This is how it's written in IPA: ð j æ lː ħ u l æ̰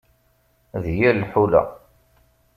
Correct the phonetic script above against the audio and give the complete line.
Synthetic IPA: ð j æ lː ħ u l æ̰

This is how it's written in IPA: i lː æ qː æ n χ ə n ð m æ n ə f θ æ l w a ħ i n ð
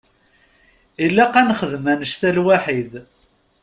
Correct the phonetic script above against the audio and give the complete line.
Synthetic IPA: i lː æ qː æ n χ ə ð m æ n ə ʃ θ æ l w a ħ i ð

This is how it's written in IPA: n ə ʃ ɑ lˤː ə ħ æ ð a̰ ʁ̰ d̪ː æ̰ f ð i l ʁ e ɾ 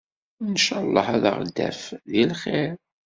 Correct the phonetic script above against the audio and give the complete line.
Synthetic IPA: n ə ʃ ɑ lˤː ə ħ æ ð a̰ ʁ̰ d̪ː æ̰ f ð i l χ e ɾ

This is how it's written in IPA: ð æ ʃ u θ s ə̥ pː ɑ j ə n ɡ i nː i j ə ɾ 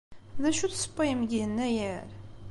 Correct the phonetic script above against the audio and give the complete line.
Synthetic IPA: ð æ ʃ u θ s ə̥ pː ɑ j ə m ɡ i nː æ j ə ɾ

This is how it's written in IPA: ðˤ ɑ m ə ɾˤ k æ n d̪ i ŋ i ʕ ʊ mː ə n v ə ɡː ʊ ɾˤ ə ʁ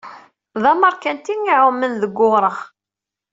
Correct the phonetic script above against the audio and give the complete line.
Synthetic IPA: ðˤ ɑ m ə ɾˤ k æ n t̪ i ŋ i ʕ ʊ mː ə n ð ə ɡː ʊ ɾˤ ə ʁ

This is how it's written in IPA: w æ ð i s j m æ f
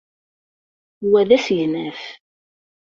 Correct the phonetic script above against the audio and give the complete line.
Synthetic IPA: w æ ð æ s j n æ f

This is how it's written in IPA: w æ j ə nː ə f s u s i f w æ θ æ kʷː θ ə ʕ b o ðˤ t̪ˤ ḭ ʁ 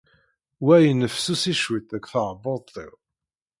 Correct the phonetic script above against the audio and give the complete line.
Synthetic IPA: w æ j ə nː ə f s u s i ʃ w i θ æ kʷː θ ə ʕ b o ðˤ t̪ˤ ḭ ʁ

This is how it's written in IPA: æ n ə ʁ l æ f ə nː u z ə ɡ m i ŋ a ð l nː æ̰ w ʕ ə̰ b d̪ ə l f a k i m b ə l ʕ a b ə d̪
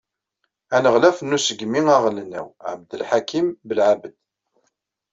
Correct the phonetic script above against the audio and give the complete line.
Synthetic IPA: æ n ə ʁ l æ f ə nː u s ə ɡ m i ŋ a ʁ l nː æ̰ w ʕ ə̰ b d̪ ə l ħ a k i m b ə l ʕ a b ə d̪

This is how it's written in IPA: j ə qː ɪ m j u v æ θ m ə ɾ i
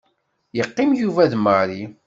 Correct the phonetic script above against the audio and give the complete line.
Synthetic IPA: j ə qː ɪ m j u v æ ð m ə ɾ i

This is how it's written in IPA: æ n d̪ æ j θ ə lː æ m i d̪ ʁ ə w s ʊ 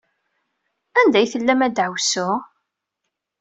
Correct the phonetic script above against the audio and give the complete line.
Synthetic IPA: æ n d̪ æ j θ ə lː æ m æ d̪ ʕ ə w s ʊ

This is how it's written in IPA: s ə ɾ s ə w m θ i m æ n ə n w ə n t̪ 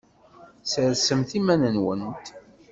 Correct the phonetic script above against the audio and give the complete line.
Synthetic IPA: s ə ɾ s ə m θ i m æ n ə n w ə n t̪

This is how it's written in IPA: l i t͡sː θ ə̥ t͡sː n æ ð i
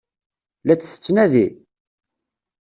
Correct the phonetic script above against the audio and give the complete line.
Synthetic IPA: l æ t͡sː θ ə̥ t͡sː n æ ð i

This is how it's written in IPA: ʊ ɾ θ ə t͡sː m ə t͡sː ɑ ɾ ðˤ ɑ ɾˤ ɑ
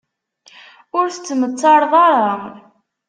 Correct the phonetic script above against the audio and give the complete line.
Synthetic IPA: ʊ ɾ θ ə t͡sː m ə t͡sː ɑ ɾ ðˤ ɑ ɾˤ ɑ

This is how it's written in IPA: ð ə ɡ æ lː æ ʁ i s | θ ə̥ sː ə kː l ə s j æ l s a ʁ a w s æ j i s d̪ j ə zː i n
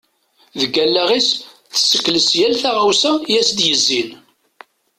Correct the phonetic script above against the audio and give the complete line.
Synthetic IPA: ð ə ɡ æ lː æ ʁ i s | θ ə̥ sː ə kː l ə s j æ l θ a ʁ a w s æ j æ s d̪ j ə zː i n

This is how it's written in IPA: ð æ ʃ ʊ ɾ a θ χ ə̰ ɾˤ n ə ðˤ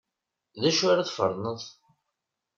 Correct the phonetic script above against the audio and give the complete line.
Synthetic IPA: ð æ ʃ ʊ ɾ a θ f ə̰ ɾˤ n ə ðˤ

